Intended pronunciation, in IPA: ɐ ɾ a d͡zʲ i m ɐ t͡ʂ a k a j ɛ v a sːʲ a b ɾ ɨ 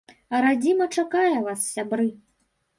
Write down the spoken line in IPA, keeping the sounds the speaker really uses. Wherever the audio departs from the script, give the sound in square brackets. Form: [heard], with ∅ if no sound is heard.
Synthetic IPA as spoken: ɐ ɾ a d͡zʲ i m ɐ t͡ʂ a k a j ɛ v a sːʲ a b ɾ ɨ